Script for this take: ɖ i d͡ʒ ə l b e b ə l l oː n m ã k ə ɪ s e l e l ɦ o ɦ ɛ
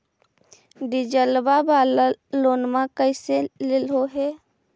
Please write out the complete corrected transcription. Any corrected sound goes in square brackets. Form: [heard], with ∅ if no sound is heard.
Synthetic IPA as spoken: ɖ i d͡ʒ ə l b [a] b [a] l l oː n m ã k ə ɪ s e l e l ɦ o ɦ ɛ